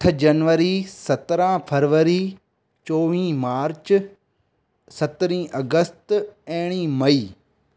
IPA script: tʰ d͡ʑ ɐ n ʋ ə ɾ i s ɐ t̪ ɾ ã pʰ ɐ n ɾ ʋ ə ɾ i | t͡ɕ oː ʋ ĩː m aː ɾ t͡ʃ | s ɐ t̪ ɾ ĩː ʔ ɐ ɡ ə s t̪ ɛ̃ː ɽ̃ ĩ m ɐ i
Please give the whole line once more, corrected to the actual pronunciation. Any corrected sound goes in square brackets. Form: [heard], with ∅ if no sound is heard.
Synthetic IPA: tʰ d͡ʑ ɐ n ʋ ə ɾ i s ɐ t̪ ɾ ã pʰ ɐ [∅] ɾ ʋ ə ɾ i | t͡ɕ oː ʋ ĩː m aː ɾ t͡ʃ | s ɐ t̪ ɾ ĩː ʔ ɐ ɡ ə s t̪ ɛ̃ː ɽ̃ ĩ m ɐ [iː]